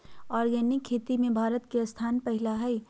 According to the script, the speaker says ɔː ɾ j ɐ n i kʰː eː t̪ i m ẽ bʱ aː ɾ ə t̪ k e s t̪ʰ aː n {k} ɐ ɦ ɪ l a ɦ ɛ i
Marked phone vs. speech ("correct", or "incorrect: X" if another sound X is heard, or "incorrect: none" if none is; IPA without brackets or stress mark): incorrect: p